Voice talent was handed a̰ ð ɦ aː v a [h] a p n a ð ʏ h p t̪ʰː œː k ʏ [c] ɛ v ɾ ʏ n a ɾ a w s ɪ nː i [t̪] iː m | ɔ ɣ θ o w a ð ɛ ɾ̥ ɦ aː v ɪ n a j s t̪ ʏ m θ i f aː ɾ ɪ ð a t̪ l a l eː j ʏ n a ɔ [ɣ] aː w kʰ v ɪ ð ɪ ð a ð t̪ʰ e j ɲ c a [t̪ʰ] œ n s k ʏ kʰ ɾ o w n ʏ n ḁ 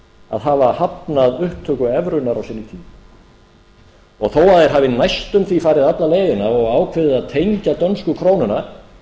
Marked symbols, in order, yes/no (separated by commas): yes, no, no, yes, no